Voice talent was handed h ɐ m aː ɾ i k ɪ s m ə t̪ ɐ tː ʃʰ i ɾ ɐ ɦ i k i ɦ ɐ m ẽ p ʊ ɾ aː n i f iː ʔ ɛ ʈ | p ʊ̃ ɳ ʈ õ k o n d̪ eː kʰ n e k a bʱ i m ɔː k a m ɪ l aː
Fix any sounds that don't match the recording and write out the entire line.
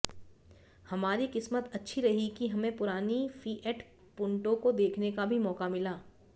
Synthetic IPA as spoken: h ɐ m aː ɾ i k ɪ s m ə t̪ ɐ tː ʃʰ i ɾ ɐ ɦ i k i ɦ ɐ m ẽ p ʊ ɾ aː n i f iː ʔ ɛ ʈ | p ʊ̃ ɳ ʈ õ k o d̪ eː kʰ n e k a bʱ i m ɔː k a m ɪ l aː

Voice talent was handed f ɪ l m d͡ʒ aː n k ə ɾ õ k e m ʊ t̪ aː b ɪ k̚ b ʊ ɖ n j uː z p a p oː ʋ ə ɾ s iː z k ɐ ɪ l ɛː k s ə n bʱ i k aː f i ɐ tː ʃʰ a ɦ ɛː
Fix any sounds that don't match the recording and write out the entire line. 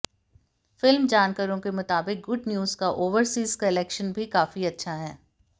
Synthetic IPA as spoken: f ɪ l m d͡ʒ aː n k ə ɾ õ k e m ʊ t̪ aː b ɪ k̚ ɡ ʊ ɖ n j uː z k a ʔ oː ʋ ə ɾ s iː z k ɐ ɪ l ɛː k ʃ ə n bʱ i k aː f i ɐ tː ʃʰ a ɦ ɛː

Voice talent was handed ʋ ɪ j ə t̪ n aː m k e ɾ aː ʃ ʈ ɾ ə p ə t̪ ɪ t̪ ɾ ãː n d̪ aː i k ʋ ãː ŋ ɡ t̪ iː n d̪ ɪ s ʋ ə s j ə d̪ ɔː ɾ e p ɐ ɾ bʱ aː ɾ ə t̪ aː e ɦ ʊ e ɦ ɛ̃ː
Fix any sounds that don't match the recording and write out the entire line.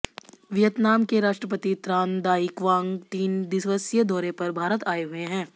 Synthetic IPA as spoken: ʋ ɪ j ə t̪ n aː m k e ɾ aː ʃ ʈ ɾ ə p ə t̪ i t̪ ɾ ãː n d̪ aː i k ʋ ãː ŋ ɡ t̪ iː n d̪ ɪ s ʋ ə s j ə d̪ ɔː ɾ e p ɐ ɾ bʱ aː ɾ ə t̪ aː e ɦ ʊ e ɦ ɛ̃ː

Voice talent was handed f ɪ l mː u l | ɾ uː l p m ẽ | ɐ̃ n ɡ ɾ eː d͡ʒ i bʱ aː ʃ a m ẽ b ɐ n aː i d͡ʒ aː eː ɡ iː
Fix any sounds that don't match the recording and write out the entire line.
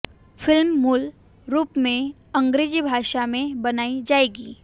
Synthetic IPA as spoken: f ɪ l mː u l | ɾ uː p m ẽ | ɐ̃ ŋ ɡ ɾ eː d͡ʒ i bʱ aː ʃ a m ẽ b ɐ n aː i d͡ʒ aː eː ɡ iː

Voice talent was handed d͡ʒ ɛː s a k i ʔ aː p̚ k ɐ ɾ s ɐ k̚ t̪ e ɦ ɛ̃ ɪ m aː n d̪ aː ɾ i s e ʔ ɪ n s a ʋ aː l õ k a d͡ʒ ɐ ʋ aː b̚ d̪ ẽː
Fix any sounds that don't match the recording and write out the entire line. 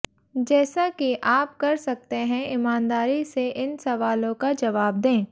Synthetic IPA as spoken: d͡ʒ ɛː s a k i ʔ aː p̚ k ɐ ɾ s ɐ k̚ t̪ e ɦ ɛ̃ ɪ m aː n d̪ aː ɾ i s e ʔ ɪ n s ɐ ʋ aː l õ k a d͡ʒ ɐ ʋ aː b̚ d̪ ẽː

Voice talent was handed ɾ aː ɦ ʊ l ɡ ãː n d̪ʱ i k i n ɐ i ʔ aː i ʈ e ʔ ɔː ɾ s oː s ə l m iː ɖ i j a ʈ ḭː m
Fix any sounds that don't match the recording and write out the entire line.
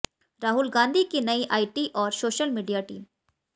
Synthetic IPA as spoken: ɾ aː ɦ ʊ l ɡ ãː n d̪ʱ i k i n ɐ i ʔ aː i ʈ i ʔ ɔː ɾ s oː ʃ ə l m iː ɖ i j a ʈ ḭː m

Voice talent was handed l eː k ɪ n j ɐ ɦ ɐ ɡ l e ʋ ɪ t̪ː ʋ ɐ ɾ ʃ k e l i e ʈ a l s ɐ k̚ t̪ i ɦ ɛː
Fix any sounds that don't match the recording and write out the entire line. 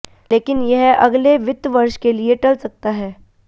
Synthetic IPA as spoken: l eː k ɪ n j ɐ ɦ ɐ ɡ l e ʋ ɪ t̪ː ʋ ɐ ɾ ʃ k e l i e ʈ ɐ l s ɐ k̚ t̪ a ɦ ɛː

